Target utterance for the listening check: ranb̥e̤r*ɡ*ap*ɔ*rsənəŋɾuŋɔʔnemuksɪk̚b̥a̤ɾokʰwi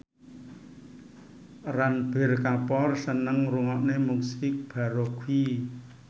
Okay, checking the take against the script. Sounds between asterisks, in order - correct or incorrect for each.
incorrect, correct

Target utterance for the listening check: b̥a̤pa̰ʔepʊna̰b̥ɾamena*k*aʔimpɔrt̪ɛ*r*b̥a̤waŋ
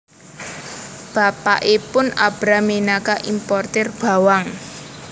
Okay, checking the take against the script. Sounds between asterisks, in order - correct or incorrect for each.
correct, correct

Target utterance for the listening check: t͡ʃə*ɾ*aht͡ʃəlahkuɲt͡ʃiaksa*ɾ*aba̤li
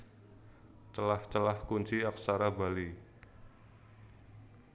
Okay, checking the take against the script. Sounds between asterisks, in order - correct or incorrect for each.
incorrect, correct

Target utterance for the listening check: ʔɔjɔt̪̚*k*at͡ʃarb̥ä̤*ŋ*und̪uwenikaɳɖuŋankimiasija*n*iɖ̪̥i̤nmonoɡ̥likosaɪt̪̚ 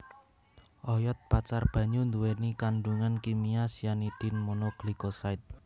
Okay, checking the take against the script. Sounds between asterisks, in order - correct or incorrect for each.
incorrect, incorrect, correct

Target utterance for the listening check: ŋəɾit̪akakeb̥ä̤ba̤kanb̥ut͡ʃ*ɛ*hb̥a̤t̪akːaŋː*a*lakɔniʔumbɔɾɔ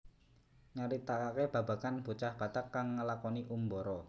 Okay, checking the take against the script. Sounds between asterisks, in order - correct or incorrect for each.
incorrect, incorrect

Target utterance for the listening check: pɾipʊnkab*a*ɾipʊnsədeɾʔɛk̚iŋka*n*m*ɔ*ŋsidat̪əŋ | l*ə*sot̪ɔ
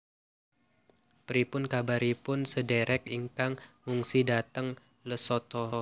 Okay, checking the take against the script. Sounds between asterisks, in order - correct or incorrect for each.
correct, incorrect, incorrect, correct

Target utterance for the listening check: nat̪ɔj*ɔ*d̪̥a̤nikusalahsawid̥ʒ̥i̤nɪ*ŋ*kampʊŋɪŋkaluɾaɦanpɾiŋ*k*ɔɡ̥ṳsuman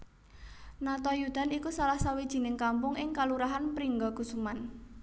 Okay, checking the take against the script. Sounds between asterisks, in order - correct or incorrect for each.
incorrect, correct, incorrect

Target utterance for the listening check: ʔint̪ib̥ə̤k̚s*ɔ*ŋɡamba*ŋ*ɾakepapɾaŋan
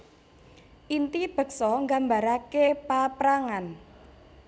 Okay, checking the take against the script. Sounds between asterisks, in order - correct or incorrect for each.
correct, incorrect

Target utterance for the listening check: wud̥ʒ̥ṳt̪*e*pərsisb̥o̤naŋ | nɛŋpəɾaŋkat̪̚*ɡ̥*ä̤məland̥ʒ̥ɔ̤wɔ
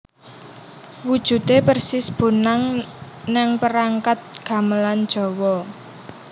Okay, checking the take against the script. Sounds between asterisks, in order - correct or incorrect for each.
correct, correct

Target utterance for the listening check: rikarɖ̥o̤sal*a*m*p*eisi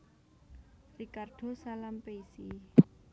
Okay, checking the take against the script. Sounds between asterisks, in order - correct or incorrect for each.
correct, correct

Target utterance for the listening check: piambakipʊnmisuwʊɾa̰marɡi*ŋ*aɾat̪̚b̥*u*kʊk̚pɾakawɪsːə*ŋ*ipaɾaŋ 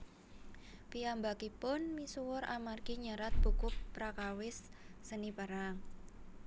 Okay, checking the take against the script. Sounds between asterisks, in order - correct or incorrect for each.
incorrect, correct, incorrect

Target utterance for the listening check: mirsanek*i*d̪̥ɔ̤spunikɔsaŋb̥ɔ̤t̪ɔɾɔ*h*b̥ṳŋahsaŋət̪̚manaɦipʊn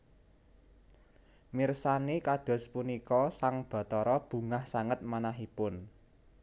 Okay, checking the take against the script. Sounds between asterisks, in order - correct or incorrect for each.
incorrect, incorrect

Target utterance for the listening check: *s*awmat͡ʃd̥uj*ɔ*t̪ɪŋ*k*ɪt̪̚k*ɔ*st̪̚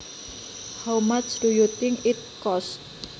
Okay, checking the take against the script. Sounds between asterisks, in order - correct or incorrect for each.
incorrect, incorrect, correct, correct

